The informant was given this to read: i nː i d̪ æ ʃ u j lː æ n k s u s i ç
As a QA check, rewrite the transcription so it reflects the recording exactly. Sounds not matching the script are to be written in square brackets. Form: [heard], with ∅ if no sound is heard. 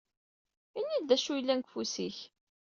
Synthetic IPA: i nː i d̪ æ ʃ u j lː æ n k [f] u s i ç